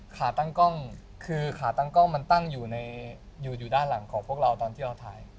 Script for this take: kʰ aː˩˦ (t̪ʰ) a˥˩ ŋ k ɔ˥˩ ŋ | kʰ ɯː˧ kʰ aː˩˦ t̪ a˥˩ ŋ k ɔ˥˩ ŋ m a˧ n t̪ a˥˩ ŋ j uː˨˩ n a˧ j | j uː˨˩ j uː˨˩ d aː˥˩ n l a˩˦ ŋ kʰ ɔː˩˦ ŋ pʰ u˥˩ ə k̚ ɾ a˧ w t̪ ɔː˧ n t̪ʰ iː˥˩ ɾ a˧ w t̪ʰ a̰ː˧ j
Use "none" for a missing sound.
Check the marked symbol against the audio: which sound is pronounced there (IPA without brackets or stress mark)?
t̪